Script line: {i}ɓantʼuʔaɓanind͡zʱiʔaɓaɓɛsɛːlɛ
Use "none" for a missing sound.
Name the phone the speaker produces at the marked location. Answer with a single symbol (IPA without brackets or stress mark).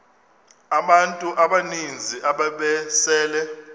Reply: a